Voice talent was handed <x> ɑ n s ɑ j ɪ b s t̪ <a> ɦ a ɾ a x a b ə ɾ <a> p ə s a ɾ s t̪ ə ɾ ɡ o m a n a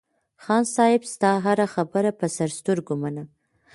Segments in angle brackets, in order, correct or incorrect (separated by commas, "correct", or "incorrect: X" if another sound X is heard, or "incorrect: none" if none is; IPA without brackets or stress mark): correct, incorrect: ɑ, correct